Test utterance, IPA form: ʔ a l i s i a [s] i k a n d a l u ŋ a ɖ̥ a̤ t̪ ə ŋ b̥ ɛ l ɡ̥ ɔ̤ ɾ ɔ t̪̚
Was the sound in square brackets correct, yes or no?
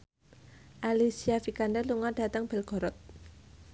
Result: no